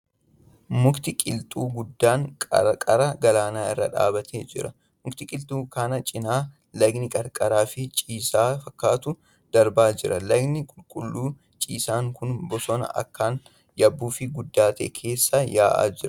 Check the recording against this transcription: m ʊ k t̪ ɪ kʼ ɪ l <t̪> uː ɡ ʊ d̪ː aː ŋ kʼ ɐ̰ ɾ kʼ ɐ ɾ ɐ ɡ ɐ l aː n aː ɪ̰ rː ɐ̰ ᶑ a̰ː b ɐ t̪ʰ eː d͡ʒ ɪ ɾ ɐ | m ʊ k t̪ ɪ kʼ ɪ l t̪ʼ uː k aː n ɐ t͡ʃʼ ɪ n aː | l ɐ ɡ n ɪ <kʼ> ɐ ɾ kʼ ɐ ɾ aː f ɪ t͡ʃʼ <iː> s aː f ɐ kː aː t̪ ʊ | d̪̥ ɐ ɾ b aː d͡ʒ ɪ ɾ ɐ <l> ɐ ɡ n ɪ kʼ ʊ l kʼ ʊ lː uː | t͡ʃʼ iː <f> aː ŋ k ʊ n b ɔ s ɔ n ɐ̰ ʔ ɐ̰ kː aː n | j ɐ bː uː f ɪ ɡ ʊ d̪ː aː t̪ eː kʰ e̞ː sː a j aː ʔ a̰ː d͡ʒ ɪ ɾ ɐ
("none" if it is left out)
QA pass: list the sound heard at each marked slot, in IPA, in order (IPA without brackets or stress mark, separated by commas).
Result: t̪ʼ, kʼ, iː, l, s